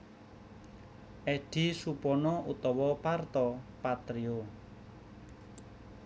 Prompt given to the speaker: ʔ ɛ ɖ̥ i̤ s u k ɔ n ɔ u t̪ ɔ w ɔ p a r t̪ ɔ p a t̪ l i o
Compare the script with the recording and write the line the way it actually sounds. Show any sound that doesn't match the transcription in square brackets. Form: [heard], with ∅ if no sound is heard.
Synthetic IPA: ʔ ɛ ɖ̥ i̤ s u [p] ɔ n ɔ u t̪ ɔ w ɔ p a r t̪ ɔ p a t̪ [ɾ] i o

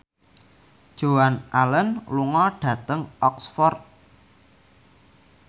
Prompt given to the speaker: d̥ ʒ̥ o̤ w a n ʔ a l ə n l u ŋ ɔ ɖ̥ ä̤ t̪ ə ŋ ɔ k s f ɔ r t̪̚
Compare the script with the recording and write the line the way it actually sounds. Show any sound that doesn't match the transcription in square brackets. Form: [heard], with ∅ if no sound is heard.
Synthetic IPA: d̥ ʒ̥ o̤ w a n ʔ a l ə n l u ŋ ɔ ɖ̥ ä̤ t̪ ə ŋ ɔ k s f ɔ r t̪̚

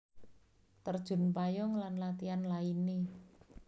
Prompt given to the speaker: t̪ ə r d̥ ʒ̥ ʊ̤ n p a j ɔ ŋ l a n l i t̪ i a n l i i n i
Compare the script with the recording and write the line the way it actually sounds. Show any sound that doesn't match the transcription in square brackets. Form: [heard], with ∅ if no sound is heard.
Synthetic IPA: t̪ ə r d̥ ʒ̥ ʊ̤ n p a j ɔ ŋ l a n l [a] t̪ i a n l [a] i n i

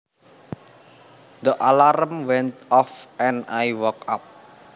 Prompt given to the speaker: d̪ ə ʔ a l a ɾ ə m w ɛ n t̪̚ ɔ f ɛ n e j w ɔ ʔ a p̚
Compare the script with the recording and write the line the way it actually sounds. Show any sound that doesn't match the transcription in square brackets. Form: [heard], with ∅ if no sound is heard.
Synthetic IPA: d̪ ə ʔ a l a ɾ ə m w ɛ n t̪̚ ɔ f ɛ n [a] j w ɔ [k] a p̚

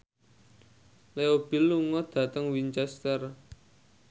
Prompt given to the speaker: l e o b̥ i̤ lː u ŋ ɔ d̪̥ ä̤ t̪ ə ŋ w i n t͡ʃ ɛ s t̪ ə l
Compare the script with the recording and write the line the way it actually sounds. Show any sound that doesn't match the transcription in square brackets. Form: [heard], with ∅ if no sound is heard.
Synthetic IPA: l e o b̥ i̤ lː u ŋ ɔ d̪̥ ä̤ t̪ ə ŋ w i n t͡ʃ ɛ s t̪ ə [r]

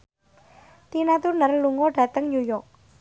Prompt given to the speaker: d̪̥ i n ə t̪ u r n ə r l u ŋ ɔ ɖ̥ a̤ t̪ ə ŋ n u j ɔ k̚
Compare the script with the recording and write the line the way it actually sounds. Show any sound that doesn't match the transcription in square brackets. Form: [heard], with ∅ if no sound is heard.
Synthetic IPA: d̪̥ i n [a] t̪ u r n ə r l u ŋ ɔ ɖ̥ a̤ t̪ ə ŋ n u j ɔ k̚

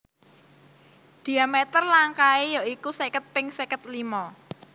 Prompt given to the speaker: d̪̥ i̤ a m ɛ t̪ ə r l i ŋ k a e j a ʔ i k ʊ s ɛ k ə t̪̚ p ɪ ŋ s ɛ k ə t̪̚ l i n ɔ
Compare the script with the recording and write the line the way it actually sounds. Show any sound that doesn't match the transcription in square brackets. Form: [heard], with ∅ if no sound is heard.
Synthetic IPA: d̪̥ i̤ a m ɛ t̪ ə r l [a] ŋ k a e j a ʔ i k [u] s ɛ k ə t̪̚ p ɪ ŋ s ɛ k ə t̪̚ l i [m] ɔ

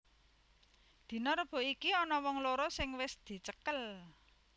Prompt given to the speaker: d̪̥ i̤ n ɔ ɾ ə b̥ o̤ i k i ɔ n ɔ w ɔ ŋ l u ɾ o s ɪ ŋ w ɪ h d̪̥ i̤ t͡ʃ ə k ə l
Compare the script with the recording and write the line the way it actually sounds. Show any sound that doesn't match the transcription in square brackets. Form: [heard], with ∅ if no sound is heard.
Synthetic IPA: d̪̥ i̤ n ɔ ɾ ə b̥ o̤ i k i ɔ n ɔ w ɔ ŋ l [o] ɾ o s ɪ ŋ w ɪ [s] d̪̥ i̤ t͡ʃ ə k ə l

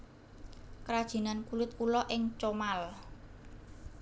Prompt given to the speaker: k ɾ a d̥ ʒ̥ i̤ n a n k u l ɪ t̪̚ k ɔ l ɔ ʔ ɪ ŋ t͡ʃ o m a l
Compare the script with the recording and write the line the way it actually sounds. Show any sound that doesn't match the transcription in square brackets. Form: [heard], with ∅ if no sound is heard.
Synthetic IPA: k ɾ a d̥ ʒ̥ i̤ n a n k u l ɪ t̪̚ k [u] l ɔ ʔ ɪ ŋ t͡ʃ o m a l

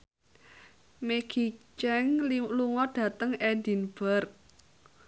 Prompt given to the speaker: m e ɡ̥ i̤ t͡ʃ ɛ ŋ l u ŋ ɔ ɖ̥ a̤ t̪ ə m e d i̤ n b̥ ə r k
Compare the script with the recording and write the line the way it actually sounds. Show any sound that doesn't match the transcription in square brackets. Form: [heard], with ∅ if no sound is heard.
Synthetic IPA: m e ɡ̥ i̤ t͡ʃ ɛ ŋ l u ŋ ɔ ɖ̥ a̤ t̪ ə [ŋ] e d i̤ n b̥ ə r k

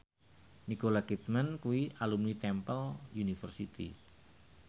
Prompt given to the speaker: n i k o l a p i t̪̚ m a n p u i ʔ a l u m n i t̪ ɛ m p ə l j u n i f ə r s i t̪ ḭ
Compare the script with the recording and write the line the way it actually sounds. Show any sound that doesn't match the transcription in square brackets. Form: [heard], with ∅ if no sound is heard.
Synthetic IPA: n i k o l a [k] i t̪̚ m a n [k] u i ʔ a l u m n i t̪ ɛ m p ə l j u n i f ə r s i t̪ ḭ

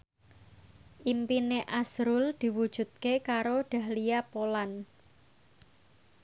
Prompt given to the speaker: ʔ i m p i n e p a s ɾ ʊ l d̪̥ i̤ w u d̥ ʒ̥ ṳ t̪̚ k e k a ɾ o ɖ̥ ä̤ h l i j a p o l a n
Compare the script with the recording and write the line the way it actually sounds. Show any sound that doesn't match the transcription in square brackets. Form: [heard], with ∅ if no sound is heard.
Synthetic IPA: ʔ i m p i n e [ʔ] a s ɾ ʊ l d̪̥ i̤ w u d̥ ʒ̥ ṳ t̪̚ k e k a ɾ o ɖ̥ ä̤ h l i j a p o l a n

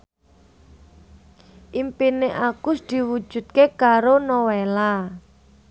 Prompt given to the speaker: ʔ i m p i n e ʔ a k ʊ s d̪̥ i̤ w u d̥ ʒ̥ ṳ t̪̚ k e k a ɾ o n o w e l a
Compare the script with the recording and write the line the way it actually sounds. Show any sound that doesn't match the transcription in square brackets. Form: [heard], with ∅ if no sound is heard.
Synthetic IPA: ʔ i m p i n e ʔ a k ʊ s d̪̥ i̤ w u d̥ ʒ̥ ṳ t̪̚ k e k a ɾ o n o w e l a

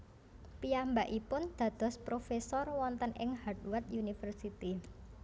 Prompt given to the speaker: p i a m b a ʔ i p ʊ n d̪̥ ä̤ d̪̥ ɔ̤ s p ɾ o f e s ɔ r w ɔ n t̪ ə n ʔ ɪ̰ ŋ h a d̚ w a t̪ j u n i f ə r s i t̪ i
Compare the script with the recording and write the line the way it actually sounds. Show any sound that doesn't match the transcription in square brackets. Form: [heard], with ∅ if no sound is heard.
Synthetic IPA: p i a m b a ʔ i p ʊ n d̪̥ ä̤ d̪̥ ɔ̤ s p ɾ o f e s ɔ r w ɔ n t̪ ə n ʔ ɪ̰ ŋ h a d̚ w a t̪ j u n i f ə r s i t̪ i

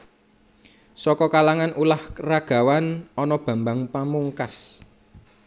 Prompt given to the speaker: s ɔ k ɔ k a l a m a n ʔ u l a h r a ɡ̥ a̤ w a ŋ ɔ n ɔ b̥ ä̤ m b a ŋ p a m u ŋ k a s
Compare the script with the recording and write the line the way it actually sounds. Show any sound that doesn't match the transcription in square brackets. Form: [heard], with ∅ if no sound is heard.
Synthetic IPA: s ɔ k ɔ k a l a [ŋ] a n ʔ u l a h r a ɡ̥ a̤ w a [n] ɔ n ɔ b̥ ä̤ m b a ŋ p a m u ŋ k a s

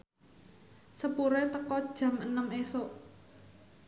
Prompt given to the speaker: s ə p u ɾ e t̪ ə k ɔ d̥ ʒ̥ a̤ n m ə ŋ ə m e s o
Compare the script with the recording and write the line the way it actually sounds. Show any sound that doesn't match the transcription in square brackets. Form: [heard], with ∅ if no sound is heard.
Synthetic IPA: s ə p u ɾ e t̪ ə k ɔ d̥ ʒ̥ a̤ [∅] m ə [n] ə m e s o

